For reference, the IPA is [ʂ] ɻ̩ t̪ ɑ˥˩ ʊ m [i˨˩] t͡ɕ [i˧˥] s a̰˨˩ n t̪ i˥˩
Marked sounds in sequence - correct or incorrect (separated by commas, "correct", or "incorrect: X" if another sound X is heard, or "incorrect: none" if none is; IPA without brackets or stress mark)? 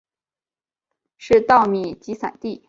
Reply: correct, correct, correct